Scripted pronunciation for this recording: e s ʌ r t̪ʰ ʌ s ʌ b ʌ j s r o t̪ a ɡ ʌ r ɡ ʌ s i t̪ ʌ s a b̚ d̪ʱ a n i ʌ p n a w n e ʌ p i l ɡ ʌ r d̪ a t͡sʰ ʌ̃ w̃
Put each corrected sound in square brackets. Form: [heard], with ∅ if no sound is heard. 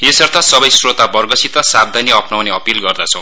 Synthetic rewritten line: e s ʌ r t̪ʰ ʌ s ʌ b ʌ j s r o t̪ a [b] ʌ r ɡ ʌ s i t̪ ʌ s a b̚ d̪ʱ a n i ʌ p n a w n e ʌ p i l ɡ ʌ r d̪ a t͡sʰ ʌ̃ w̃

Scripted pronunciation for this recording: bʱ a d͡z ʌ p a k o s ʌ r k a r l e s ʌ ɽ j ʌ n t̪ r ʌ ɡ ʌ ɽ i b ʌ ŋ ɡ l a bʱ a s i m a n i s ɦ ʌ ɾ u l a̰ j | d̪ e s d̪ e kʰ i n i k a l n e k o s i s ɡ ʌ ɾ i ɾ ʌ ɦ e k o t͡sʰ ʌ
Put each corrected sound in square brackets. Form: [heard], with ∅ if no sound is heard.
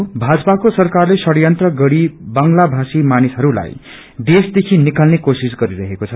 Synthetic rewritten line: bʱ a d͡z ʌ p a k o s ʌ r k a r l e s ʌ ɽ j ʌ n t̪ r ʌ ɡ ʌ ɽ i b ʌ ŋ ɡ l a bʱ a s i m a n i s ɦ ʌ ɾ u l a̰ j | d̪ e s d̪ e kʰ i n i k a l n e k o s i s ɡ ʌ ɾ i ɾ ʌ ɦ e k o t͡sʰ ʌ

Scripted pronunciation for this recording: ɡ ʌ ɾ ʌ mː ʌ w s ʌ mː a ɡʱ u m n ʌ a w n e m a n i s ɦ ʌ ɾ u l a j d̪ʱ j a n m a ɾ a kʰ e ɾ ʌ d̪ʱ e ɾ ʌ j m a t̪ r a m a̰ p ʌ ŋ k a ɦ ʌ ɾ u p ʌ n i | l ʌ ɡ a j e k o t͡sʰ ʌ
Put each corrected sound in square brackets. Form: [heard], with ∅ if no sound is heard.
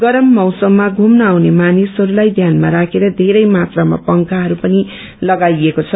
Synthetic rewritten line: ɡ ʌ ɾ ʌ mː ʌ w s ʌ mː a ɡʱ u m n ʌ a w n e m a n i s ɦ ʌ ɾ u l a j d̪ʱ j a n m a ɾ a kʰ e ɾ ʌ d̪ʱ e ɾ ʌ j m a t̪ r a m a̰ p ʌ ŋ k a ɦ ʌ ɾ u p ʌ n i | l ʌ ɡ a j e k o t͡sʰ ʌ

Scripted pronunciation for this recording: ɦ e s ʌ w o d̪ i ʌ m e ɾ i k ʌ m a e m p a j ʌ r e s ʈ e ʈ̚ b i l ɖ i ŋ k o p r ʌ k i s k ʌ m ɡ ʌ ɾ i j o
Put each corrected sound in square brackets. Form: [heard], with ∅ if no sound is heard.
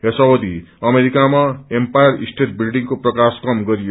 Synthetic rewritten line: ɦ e s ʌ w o d̪ i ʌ m e ɾ i k [a] m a e m p a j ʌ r [i] s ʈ e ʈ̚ b i l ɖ i ŋ k o p r ʌ k [a] s k ʌ m ɡ ʌ ɾ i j o

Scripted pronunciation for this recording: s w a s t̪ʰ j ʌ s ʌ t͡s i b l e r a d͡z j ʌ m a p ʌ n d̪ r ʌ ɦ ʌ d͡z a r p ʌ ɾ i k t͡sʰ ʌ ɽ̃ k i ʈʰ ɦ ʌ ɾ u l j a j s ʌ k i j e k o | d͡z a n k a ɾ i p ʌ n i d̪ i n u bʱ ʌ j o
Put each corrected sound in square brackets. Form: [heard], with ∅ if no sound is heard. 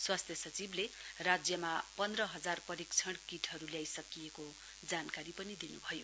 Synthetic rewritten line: s w a s t̪ʰ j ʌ s ʌ t͡s i b l e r a d͡z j ʌ m a p ʌ n d̪ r ʌ ɦ ʌ d͡z a r p ʌ ɾ i k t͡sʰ ʌ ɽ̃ k i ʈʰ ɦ ʌ ɾ u l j a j s ʌ k i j e k o | d͡z a n k a ɾ i p ʌ n i d̪ i n u bʱ ʌ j o

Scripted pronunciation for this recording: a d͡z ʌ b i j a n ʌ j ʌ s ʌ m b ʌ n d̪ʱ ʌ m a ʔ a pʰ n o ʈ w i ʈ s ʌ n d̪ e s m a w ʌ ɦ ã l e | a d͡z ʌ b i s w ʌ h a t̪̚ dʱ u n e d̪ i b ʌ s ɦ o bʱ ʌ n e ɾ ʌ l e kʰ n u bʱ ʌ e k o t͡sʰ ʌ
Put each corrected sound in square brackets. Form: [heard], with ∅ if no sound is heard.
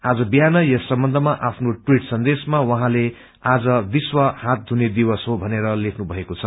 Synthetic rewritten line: a d͡z ʌ b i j a n ʌ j ʌ s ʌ m b ʌ n d̪ʱ ʌ m a ʔ a pʰ n o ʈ w i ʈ s ʌ n d̪ e s m a w ʌ ɦ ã l e | a d͡z ʌ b i s w ʌ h a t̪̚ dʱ u n e d̪ i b ʌ s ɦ o bʱ ʌ n e ɾ ʌ l e kʰ n u bʱ ʌ e k o t͡sʰ ʌ

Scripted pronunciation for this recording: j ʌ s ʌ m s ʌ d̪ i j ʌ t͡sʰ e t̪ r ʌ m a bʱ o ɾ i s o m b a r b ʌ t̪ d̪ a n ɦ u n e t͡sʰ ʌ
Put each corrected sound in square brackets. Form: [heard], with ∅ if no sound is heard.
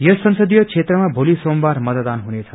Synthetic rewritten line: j ʌ s ʌ [n] s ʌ d̪ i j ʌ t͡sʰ e t̪ r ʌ m a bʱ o [l] i s o m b a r [m] ʌ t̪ d̪ a n ɦ u n e t͡sʰ ʌ

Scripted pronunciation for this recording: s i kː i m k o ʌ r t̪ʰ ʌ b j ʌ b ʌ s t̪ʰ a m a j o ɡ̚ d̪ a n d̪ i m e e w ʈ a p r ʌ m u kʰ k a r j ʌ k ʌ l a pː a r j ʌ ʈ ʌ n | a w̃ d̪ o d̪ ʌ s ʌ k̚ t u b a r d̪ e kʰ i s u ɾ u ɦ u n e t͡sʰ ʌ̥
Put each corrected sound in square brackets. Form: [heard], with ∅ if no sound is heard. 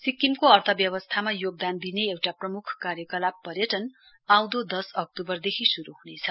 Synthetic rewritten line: s i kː i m k o ʌ r t̪ʰ ʌ b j ʌ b ʌ s t̪ʰ a m a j o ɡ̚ d̪ a n d̪ i [n] e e w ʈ a p r ʌ m u kʰ k a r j ʌ k ʌ l a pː [ʌ] r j ʌ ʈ ʌ n | a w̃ d̪ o d̪ ʌ s ʌ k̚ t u b [ʌ] r d̪ e kʰ i s u ɾ u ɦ u n e t͡sʰ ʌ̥

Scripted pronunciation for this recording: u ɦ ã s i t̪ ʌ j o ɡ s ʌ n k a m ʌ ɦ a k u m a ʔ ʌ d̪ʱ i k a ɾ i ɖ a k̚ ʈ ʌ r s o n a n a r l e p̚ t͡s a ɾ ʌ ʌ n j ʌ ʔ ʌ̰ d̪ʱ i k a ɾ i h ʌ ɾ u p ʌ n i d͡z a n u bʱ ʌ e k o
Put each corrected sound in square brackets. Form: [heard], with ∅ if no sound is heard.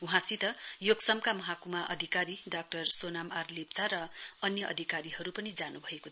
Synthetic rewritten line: u ɦ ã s i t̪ ʌ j o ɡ s ʌ [m] k a m ʌ ɦ a k u m a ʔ ʌ d̪ʱ i k a ɾ i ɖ a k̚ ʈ ʌ r s o n a [m] a r l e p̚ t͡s a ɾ ʌ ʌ n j ʌ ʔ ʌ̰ d̪ʱ i k a ɾ i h ʌ ɾ u p ʌ n i d͡z a n u bʱ ʌ e k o

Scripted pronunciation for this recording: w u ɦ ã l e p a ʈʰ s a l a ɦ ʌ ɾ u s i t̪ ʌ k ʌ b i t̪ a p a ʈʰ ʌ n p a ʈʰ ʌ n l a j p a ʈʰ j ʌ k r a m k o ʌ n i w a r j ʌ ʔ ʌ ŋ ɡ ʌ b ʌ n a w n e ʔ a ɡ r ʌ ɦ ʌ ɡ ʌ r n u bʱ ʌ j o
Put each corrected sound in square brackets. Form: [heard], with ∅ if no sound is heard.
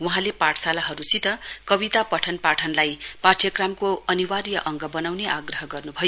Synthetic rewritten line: w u ɦ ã l e p a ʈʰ s a l a ɦ ʌ ɾ u s i t̪ ʌ k ʌ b i t̪ a p [ʌ] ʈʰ ʌ n p a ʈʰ ʌ n l a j p a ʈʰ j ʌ k r a m k o ʌ n i w a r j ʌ ʔ ʌ ŋ ɡ ʌ b ʌ n a w n e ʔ a ɡ r ʌ ɦ ʌ ɡ ʌ r n u bʱ ʌ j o

